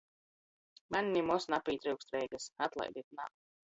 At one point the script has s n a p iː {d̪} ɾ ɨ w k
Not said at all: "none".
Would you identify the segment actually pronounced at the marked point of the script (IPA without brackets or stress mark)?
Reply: t̪